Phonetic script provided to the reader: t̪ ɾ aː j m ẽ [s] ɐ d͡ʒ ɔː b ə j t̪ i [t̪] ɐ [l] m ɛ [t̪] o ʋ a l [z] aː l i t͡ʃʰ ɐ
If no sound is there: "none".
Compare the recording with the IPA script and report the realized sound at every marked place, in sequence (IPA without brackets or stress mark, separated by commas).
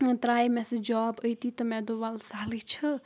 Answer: s, t̪, none, d̪, s